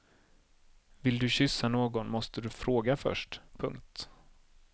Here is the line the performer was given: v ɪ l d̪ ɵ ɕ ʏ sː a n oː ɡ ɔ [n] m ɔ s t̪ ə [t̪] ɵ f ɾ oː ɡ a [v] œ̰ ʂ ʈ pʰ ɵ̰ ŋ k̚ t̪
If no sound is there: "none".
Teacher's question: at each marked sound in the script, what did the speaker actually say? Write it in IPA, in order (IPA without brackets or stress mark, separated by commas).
n, d̪, f